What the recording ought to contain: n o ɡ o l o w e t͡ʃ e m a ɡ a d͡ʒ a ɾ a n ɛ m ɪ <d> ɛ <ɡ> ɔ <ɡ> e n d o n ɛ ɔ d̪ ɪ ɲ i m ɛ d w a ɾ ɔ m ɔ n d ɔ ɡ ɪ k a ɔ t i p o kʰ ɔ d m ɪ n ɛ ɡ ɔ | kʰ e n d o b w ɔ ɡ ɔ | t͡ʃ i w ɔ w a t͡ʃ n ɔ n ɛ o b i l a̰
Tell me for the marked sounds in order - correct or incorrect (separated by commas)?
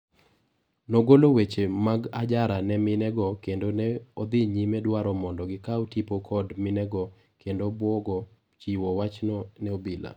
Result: incorrect, correct, incorrect